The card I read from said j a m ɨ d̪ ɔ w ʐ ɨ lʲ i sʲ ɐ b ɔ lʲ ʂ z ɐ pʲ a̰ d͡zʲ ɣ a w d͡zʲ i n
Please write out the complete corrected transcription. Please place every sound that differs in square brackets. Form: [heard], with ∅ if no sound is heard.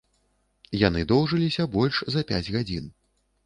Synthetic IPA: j a [n] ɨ d̪ ɔ w ʐ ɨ lʲ i sʲ ɐ b ɔ lʲ ʂ z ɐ pʲ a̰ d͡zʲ ɣ a [∅] d͡zʲ i n